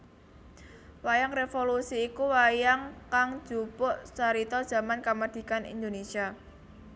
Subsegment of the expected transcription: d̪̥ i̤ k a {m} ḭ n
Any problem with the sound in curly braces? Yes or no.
yes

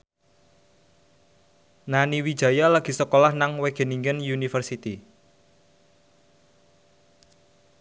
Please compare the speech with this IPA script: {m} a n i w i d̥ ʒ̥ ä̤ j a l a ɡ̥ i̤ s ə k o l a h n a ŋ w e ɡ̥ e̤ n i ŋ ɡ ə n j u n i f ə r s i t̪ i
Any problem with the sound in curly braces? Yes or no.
yes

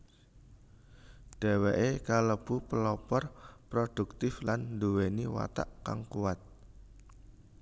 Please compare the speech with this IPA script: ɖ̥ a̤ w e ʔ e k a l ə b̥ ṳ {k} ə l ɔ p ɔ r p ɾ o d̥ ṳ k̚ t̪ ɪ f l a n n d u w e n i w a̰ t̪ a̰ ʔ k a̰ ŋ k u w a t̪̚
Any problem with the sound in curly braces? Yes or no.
yes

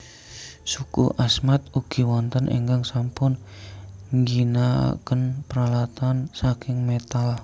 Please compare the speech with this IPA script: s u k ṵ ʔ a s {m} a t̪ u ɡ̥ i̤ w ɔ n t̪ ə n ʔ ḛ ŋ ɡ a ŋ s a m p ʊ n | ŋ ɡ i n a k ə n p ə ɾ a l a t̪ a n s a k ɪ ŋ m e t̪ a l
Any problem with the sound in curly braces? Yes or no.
no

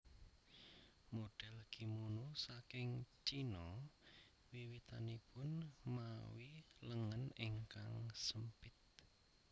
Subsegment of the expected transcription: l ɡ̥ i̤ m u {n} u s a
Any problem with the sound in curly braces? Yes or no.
no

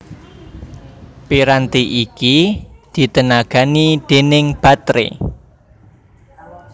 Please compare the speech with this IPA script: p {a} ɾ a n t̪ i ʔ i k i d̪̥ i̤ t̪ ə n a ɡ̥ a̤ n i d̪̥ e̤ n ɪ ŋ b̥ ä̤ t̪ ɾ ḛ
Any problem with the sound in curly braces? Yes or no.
yes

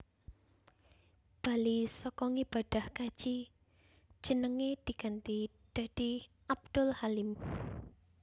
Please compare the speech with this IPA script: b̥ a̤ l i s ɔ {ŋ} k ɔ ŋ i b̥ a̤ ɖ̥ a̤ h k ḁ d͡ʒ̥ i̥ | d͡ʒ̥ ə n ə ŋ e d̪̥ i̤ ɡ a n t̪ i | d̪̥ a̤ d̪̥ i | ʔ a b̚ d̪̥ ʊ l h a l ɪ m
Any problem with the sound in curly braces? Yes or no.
yes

